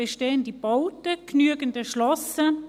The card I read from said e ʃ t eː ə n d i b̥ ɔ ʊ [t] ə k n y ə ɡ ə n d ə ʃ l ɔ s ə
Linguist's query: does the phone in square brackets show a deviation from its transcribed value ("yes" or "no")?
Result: no